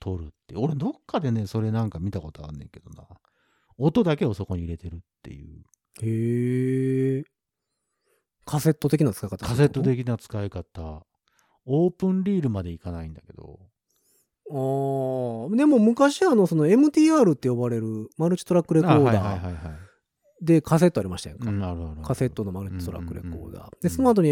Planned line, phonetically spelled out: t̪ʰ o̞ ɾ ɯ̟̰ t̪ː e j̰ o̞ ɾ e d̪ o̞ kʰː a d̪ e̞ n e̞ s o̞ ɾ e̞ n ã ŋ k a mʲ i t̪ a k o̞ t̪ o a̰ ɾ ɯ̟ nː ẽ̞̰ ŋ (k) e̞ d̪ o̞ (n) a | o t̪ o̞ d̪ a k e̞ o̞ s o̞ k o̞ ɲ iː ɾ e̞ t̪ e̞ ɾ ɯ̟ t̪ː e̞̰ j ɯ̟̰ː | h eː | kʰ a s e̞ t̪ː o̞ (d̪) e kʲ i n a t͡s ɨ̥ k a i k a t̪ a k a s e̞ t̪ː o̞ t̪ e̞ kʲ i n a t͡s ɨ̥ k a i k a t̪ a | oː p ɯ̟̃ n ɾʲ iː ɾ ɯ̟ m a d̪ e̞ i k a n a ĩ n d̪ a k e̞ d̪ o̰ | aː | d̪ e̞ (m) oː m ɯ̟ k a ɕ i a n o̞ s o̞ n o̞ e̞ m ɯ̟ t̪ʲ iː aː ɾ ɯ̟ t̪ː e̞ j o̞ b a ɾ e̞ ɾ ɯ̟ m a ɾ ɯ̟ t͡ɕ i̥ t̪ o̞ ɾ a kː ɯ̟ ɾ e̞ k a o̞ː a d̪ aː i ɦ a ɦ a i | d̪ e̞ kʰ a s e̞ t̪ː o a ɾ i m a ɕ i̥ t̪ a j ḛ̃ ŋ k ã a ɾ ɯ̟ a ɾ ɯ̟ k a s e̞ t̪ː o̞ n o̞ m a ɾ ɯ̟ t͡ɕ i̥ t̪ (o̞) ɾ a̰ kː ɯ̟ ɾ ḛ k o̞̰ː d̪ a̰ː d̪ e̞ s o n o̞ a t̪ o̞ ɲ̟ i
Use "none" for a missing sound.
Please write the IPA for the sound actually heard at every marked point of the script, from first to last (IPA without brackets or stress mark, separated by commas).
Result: k, n, t̪, m, o̞